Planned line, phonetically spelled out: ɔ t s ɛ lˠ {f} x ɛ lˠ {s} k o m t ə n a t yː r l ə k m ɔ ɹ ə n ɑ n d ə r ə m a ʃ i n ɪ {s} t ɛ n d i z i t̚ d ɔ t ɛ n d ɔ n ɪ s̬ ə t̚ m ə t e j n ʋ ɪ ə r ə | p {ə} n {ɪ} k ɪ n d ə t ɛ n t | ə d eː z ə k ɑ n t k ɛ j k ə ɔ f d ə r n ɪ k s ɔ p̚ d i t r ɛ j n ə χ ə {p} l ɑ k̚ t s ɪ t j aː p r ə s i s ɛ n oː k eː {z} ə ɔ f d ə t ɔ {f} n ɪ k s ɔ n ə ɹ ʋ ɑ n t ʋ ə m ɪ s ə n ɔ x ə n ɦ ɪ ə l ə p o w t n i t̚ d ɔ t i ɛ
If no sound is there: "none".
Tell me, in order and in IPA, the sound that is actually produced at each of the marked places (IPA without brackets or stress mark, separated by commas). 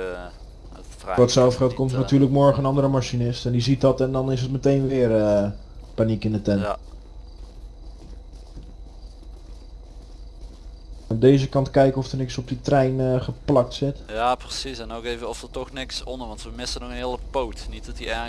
f, t, s, a, i, p, v, x